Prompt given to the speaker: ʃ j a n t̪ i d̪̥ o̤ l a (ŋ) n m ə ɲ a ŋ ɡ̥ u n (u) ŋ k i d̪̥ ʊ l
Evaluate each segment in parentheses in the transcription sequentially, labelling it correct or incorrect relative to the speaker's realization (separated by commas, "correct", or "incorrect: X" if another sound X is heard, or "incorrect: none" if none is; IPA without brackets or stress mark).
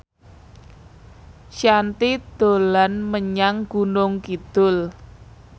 incorrect: none, incorrect: ʊ